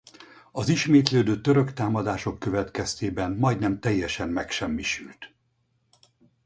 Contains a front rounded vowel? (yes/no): yes